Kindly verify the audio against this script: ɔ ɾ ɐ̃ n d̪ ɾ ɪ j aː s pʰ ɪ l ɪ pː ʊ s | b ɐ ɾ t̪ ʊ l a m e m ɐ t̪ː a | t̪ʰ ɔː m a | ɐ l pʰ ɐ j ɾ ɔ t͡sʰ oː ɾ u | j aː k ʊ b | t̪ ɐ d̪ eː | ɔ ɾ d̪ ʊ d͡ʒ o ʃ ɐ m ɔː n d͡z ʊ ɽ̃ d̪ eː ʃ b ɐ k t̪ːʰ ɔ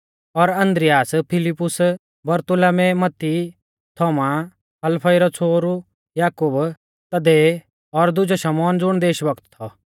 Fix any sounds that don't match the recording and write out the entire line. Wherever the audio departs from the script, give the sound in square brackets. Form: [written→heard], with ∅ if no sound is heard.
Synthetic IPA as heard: ɔ ɾ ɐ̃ n d̪ ɾ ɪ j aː s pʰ ɪ l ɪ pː ʊ s | b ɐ ɾ t̪ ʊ l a m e m ɐ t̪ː [a→i] | t̪ʰ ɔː m a | ɐ l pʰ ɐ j ɾ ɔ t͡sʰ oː ɾ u | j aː k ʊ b | t̪ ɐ d̪ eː | ɔ ɾ d̪ ʊ d͡ʒ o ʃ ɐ m ɔː n d͡z ʊ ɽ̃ d̪ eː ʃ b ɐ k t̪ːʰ ɔ